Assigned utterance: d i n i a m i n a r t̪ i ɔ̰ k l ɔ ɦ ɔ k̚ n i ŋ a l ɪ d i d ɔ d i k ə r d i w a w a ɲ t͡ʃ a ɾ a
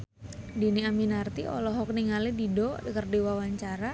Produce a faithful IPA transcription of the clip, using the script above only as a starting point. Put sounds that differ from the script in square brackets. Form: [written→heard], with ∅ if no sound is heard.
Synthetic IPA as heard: d i n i a m i n a r t̪ i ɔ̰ [k→∅] l ɔ ɦ ɔ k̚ n i ŋ a l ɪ d i d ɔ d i k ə r d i w a w a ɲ t͡ʃ a ɾ a